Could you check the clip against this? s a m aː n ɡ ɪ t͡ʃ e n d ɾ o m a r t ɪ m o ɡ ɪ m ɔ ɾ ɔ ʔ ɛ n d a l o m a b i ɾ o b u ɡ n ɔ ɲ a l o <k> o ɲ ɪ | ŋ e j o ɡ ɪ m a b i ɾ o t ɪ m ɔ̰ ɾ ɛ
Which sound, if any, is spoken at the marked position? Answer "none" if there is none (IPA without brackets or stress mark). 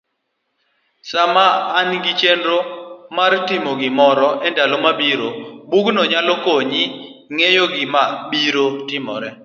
k